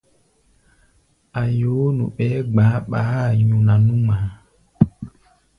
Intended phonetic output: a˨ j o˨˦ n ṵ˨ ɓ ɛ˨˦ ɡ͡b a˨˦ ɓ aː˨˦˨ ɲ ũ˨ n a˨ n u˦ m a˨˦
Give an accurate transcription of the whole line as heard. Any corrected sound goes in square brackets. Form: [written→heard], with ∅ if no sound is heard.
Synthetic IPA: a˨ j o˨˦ n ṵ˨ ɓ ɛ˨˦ ɡ͡b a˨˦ ɓ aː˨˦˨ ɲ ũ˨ n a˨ n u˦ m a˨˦

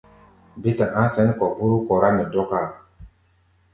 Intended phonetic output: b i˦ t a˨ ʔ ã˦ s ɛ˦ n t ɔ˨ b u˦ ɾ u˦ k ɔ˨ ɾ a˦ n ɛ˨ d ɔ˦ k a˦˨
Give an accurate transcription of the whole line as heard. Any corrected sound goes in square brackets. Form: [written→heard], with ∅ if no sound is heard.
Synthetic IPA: b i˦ t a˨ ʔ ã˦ s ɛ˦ n [t→k] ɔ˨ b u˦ ɾ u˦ k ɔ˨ ɾ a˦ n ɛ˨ d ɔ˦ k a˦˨

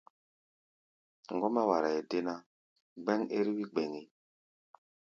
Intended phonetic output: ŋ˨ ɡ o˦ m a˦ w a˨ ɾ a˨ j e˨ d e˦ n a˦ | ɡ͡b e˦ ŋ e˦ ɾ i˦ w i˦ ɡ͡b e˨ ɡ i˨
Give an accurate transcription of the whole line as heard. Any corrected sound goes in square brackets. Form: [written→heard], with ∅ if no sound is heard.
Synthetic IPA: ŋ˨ ɡ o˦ m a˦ w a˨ ɾ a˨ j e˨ d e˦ n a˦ | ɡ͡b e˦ ŋ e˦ ɾ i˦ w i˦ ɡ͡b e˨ [ɡ→ŋ] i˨

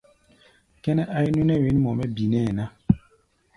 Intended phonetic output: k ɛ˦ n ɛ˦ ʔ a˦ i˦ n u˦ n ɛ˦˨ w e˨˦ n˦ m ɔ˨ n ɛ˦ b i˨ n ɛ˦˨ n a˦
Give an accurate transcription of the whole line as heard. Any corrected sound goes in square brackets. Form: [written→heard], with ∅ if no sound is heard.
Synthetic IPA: k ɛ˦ n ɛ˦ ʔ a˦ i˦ n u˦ n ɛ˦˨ w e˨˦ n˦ m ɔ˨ [n→m] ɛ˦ b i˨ n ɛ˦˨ n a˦

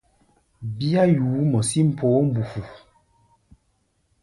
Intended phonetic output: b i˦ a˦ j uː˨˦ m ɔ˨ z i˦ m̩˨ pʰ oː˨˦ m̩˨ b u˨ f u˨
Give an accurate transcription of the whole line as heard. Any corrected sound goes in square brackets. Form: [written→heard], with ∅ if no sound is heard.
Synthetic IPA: b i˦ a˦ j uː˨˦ m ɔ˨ [z→s] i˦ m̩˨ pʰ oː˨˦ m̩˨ b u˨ f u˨

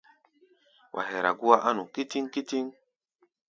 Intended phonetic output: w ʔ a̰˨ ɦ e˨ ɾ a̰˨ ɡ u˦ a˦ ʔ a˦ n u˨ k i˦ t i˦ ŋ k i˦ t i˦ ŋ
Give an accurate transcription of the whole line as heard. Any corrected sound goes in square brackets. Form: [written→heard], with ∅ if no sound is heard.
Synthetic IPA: w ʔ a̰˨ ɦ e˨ ɾ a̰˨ ɡ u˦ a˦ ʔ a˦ n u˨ k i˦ t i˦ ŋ k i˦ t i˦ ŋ

